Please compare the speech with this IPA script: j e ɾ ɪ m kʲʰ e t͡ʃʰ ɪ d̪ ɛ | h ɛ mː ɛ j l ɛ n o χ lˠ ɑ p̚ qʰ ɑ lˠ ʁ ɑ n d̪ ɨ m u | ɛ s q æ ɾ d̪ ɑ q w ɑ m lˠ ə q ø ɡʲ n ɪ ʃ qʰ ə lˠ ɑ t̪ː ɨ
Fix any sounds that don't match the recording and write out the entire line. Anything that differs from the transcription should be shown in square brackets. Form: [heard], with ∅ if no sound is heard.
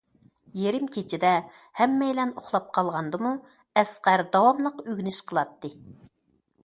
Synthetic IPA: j e ɾ ɪ m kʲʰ e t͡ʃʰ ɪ d̪ ɛ | h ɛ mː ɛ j l ɛ n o χ lˠ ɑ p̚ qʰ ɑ lˠ ʁ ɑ n d̪ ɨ m u | ɛ s q æ ɾ d̪ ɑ [∅] w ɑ m lˠ ə q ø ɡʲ n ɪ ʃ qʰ ə lˠ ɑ t̪ː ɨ